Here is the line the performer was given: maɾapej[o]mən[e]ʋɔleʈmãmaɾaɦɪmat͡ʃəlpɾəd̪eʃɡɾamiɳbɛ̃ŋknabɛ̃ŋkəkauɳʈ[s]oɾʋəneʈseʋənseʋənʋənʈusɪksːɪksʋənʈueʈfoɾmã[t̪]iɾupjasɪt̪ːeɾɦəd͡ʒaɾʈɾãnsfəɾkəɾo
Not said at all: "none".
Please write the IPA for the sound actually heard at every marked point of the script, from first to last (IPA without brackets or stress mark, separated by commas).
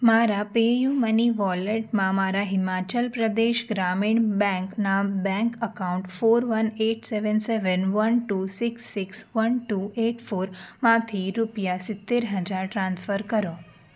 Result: u, i, f, t̪ʰ